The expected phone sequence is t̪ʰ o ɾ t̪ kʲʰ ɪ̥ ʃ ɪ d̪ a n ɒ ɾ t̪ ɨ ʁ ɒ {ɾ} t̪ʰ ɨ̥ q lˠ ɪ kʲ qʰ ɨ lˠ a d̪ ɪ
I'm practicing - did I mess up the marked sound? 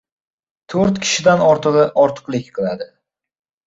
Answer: no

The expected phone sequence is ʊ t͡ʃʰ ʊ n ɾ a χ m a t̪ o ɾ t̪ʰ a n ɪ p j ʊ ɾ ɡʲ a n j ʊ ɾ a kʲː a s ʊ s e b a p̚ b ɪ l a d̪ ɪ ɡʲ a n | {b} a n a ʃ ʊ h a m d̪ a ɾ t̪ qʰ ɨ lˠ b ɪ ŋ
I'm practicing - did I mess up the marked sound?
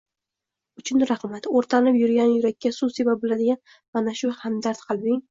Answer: yes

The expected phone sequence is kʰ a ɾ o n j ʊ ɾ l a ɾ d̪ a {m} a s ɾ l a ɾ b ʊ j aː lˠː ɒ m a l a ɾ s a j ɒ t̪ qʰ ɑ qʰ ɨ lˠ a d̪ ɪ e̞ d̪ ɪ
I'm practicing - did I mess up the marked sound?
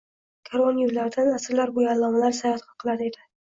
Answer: yes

